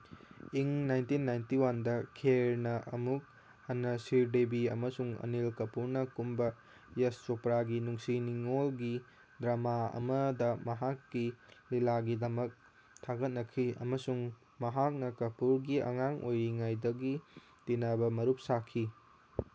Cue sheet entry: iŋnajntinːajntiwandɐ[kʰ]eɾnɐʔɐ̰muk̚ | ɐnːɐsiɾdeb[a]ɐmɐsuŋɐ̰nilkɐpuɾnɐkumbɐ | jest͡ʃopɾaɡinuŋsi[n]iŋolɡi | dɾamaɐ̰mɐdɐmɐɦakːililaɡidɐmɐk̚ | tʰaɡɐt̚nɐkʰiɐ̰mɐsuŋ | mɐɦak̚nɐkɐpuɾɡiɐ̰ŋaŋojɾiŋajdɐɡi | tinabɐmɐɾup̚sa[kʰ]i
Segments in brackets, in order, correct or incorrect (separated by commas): correct, incorrect, correct, correct